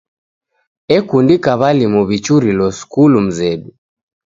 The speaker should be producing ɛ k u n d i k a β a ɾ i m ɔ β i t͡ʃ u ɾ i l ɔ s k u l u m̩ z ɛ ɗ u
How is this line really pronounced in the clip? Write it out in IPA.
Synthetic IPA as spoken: ɛ k u n d i k a β a l i m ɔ β i t͡ʃ u ɾ i l ɔ s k u l u m̩ z ɛ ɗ u